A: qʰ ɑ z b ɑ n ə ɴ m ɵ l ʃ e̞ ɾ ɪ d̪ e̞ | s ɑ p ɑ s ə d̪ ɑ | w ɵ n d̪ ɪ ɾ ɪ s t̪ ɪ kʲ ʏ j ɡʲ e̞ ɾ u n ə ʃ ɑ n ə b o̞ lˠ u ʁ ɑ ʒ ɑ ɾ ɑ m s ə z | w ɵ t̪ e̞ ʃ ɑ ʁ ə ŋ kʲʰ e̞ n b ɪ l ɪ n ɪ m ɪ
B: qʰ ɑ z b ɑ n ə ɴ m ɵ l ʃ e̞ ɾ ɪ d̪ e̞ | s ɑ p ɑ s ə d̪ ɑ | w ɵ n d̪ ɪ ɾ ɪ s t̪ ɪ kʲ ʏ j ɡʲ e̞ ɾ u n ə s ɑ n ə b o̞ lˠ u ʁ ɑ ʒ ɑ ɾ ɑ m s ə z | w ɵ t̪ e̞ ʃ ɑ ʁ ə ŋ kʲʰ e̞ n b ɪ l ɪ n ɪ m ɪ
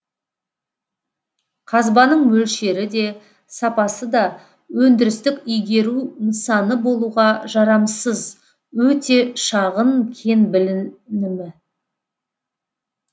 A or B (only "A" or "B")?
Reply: B